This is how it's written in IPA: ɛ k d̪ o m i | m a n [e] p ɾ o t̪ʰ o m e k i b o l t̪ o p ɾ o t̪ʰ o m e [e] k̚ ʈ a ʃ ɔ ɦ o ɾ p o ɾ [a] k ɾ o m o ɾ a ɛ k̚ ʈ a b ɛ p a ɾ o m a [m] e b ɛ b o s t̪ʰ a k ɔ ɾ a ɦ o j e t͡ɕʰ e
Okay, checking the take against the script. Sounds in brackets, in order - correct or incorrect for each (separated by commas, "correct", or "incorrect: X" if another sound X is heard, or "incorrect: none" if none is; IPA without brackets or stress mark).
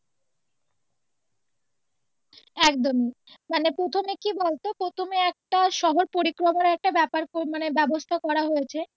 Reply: correct, incorrect: ɛ, incorrect: i, incorrect: n